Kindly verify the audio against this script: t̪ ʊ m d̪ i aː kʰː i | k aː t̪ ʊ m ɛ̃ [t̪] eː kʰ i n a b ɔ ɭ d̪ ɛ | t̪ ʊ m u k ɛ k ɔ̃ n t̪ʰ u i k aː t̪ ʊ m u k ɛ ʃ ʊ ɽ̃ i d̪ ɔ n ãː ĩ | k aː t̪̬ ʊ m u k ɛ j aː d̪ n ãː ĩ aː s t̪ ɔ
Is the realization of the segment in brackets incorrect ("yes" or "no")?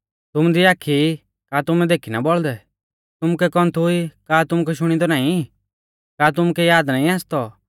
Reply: yes